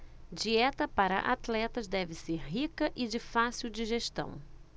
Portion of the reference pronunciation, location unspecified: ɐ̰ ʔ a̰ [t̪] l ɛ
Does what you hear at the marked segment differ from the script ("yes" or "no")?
no